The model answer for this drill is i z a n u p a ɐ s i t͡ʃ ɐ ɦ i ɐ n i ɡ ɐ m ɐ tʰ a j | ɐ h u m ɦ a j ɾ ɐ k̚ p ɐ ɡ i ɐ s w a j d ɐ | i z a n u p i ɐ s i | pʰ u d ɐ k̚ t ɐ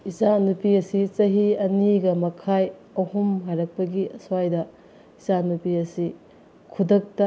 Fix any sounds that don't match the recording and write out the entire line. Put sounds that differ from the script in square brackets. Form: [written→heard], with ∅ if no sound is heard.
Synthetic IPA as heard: i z a n u p [a→i] ɐ s i t͡ʃ ɐ ɦ i ɐ n i ɡ ɐ m ɐ [tʰ→kʰ] a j | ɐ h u m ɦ a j ɾ ɐ k̚ p ɐ ɡ i ɐ s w a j d ɐ | i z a n u p i ɐ s i | [pʰ→kʰ] u d ɐ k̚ t ɐ